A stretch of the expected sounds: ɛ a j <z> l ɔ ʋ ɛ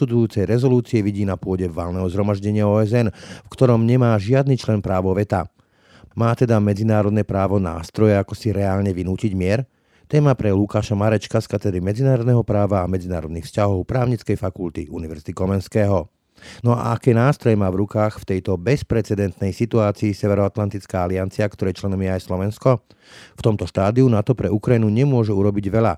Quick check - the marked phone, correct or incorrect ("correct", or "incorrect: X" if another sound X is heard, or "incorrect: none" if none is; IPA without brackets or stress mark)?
incorrect: s